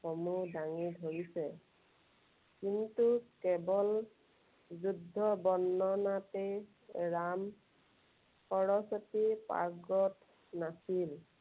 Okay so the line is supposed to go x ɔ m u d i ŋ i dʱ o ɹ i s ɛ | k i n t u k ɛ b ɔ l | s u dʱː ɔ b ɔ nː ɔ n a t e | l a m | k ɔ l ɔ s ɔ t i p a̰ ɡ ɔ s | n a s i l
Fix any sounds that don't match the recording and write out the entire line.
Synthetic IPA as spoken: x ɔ m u d a ŋ i dʱ o ɹ i s ɛ | k i n t u k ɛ b ɔ l | z u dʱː ɔ b ɔ nː ɔ n a t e | ɹ a m | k ɔ ɹ ɔ s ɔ t i p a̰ ɡ ɔ t | n a s i l